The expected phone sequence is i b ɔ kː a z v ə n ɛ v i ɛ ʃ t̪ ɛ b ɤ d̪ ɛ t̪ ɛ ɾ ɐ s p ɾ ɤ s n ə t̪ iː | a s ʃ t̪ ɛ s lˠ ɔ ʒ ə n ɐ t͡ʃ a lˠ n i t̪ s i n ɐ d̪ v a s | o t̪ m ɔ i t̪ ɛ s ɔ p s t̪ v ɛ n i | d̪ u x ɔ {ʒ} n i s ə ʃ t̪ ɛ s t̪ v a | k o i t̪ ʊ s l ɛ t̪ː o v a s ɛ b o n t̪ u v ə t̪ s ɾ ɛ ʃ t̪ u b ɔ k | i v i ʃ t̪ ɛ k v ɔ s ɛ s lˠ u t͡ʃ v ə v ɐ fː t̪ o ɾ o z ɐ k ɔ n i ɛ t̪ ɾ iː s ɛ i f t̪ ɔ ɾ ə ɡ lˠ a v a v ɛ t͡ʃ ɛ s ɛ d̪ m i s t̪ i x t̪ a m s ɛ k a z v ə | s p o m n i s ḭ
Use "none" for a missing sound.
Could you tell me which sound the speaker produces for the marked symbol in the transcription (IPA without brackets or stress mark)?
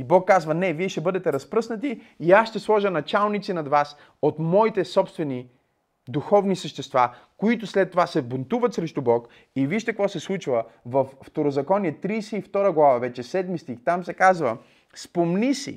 v